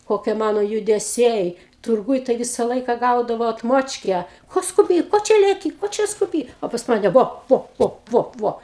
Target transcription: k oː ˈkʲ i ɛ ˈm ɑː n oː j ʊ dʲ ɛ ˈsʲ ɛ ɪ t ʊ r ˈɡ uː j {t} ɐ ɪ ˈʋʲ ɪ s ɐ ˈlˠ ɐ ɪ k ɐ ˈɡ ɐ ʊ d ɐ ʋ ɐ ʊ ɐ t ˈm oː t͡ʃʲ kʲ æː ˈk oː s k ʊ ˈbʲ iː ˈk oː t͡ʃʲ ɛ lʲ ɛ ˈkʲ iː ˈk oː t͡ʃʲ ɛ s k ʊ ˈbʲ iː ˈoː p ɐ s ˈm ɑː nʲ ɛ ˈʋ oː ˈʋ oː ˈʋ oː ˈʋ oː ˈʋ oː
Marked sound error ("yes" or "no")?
no